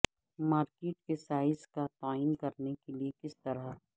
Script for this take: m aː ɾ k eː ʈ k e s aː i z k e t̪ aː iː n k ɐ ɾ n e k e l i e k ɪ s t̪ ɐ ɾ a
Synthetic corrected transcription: m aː ɾ k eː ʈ k e s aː ɪ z k a t̪ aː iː n k ɐ ɾ n e k e l i e k ɪ s t̪ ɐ ɾ a